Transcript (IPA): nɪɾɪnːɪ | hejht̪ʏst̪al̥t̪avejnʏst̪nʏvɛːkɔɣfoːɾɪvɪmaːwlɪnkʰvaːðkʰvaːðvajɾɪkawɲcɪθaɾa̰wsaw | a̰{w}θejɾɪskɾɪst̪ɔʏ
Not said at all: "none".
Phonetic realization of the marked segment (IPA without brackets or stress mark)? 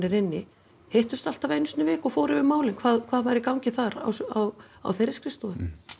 w